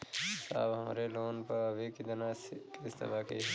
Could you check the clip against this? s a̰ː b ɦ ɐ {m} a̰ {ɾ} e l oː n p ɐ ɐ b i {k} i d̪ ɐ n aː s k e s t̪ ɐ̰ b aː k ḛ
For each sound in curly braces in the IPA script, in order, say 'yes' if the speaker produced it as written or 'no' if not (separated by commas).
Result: yes, yes, yes